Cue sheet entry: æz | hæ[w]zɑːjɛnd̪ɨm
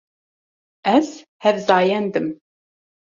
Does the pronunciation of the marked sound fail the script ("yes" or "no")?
yes